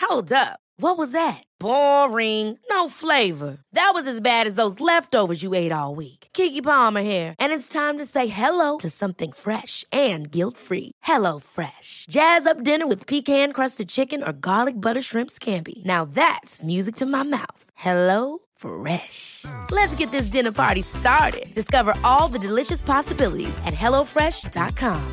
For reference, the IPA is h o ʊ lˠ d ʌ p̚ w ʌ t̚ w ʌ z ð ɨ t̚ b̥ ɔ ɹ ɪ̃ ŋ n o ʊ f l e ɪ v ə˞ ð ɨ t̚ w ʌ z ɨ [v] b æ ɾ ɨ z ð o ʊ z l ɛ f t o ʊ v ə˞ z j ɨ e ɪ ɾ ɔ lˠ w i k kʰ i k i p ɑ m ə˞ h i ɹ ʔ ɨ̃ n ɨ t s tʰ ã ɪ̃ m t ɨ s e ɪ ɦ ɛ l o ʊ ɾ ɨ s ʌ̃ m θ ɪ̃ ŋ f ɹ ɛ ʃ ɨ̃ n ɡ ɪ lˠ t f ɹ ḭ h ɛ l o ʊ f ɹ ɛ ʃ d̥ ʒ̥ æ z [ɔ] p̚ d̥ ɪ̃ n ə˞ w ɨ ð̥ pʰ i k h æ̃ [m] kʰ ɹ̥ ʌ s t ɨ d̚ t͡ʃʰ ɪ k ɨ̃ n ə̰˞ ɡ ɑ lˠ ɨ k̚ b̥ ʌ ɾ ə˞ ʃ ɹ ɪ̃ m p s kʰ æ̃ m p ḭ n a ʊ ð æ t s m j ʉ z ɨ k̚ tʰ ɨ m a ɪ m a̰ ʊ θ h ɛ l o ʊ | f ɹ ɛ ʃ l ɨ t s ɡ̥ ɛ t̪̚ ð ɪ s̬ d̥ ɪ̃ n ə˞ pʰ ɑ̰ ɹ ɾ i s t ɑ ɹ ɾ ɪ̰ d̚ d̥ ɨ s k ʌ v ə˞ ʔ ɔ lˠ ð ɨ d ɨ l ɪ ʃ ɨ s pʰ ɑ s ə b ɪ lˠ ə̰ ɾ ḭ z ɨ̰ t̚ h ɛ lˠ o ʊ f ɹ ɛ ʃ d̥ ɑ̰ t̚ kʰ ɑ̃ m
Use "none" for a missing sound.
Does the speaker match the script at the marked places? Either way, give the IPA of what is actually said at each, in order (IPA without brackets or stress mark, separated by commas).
z, ʌ, n